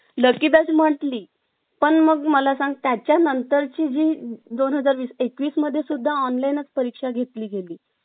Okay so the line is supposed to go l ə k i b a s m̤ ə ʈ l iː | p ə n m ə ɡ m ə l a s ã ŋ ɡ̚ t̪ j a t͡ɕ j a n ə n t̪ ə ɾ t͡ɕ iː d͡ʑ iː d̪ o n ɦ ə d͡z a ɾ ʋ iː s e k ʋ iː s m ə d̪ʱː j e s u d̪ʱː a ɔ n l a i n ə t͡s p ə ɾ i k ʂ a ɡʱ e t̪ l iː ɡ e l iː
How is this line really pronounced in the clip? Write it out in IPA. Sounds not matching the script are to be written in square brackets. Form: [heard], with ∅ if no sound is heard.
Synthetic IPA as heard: l ə k i b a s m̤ ə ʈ l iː | p ə [ɳ] m ə ɡ m ə l a s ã ŋ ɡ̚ t̪ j a t͡ɕ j a n ə n t̪ ə ɾ t͡ɕ iː d͡ʑ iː d̪ o n ɦ ə d͡z a ɾ ʋ iː s e k ʋ iː s m ə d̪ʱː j e s u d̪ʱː a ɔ n l a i n ə t͡s p ə ɾ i k ʂ a ɡʱ e t̪ l iː ɡ e l iː